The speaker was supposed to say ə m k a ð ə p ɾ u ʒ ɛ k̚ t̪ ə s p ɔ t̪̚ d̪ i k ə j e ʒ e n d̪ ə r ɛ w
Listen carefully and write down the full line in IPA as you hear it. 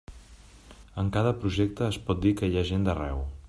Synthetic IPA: ə ŋ k a ð ə p ɾ u ʒ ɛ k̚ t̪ əː s p ɔ t̪̚ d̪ i k ə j a ʒ e n d̪ ə r ɛ w